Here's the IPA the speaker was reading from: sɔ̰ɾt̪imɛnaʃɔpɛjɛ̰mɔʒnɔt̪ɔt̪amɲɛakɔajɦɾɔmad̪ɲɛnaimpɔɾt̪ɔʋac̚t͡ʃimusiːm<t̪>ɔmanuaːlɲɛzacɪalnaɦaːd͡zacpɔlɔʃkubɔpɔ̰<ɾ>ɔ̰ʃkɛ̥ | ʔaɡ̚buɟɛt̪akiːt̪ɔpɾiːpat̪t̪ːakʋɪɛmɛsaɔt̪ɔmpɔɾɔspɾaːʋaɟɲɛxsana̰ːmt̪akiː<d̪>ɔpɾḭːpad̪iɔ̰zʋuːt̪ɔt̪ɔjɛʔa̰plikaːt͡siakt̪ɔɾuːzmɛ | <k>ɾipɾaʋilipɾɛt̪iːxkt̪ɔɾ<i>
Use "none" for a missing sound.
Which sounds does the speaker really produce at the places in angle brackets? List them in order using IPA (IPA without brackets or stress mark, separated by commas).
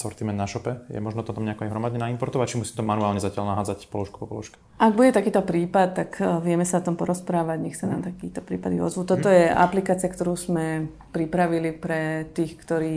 t̪, l, t̪, p, iː